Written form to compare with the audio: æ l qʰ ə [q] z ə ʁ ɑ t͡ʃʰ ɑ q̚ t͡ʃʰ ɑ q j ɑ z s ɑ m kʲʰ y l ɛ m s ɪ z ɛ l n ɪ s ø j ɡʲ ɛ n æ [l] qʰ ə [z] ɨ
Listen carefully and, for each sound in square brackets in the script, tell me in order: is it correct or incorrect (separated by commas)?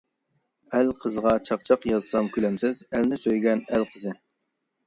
incorrect, correct, correct